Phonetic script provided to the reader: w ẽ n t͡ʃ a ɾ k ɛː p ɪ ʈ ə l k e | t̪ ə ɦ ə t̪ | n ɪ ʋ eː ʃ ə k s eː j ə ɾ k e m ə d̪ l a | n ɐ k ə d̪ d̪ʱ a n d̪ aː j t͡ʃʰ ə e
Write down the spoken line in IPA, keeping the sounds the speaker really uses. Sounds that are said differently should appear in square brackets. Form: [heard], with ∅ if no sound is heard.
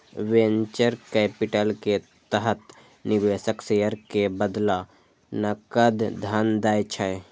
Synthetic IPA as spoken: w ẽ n t͡ʃ [ə] ɾ k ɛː p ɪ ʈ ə l k e | t̪ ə ɦ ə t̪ | n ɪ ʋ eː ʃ ə k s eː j ə ɾ k e [b] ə d̪ l a | n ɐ k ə d̪ d̪ʱ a n d̪ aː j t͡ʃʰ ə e